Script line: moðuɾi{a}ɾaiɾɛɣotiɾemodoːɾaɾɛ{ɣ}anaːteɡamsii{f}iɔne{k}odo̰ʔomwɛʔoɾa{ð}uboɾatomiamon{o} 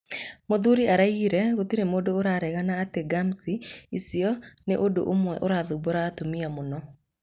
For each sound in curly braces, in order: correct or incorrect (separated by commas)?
correct, correct, incorrect, incorrect, correct, incorrect